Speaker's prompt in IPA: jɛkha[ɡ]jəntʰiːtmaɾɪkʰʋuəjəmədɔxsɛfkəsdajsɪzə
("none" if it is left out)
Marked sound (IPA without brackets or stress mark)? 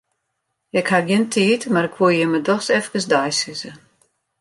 ɡ